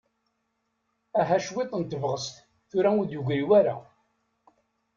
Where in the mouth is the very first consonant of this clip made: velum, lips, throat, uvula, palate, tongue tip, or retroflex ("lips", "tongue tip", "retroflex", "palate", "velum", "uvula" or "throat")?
throat